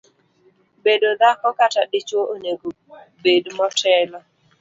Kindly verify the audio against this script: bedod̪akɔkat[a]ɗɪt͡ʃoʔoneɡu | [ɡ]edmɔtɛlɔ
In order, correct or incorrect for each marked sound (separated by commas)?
correct, incorrect